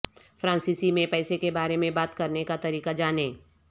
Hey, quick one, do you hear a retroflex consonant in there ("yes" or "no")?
no